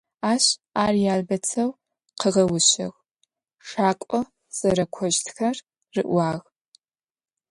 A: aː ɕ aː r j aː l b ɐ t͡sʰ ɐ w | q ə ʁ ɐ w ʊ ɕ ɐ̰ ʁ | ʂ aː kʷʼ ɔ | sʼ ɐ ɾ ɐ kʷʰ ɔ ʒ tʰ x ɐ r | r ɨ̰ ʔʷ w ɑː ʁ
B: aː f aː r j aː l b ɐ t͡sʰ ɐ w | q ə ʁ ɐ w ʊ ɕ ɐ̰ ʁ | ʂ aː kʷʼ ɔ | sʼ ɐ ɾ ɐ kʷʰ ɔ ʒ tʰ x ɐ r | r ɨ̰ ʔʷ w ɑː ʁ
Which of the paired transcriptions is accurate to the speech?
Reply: A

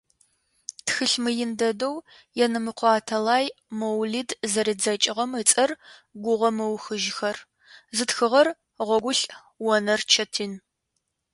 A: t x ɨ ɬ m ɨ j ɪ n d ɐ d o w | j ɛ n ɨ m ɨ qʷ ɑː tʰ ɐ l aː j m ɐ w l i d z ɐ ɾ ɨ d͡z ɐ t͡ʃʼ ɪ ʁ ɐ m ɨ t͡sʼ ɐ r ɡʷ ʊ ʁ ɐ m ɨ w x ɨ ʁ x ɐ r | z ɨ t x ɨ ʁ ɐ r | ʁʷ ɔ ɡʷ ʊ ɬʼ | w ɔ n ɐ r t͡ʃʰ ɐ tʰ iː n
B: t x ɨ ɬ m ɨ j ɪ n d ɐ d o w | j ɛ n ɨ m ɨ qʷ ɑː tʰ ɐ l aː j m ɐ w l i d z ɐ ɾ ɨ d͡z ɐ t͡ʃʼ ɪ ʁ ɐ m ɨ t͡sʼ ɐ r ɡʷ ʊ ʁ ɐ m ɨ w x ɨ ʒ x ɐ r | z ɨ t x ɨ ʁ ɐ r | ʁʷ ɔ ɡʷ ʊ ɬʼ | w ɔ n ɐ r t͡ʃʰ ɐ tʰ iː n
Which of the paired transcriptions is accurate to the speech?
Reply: B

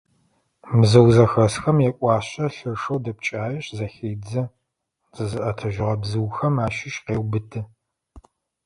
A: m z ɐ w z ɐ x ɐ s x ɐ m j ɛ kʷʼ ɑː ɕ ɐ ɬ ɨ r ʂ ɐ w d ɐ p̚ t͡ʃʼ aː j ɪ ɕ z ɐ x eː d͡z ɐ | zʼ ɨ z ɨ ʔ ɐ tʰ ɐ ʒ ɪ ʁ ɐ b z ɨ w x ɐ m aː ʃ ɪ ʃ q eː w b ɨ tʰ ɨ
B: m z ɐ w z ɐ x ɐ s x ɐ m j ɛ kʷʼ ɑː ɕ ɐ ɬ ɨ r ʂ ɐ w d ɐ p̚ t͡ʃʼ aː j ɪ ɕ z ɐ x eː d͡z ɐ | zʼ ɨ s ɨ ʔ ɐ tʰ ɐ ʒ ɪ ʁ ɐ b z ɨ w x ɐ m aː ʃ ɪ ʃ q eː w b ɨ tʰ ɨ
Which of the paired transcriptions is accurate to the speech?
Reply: A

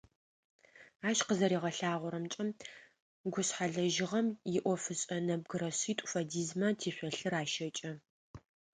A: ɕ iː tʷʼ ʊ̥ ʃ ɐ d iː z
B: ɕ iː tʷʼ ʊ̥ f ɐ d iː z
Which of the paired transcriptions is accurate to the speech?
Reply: B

